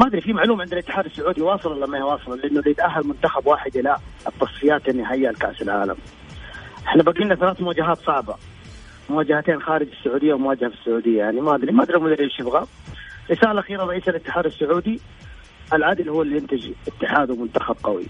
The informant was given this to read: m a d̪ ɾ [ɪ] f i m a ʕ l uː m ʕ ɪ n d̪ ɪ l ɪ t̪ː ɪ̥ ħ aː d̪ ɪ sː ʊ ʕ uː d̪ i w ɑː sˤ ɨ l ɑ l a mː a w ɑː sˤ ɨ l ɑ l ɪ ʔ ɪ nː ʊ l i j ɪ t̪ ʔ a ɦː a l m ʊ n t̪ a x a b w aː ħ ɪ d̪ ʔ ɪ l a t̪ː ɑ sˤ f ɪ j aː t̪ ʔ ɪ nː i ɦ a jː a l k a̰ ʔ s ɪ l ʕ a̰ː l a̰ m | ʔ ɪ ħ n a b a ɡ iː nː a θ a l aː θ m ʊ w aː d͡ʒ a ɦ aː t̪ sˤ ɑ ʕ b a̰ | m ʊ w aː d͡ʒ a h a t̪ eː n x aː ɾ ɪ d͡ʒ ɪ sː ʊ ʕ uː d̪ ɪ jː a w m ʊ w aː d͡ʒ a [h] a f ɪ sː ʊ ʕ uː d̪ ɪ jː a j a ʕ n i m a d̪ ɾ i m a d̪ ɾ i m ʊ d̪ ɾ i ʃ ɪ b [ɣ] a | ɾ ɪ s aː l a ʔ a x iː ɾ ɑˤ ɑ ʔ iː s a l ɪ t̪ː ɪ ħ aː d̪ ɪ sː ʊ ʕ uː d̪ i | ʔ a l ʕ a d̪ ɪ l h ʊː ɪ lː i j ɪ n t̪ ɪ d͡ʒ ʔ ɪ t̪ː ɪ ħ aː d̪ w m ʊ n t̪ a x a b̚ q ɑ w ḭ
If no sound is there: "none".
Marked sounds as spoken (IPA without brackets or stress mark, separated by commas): i, h, ɣ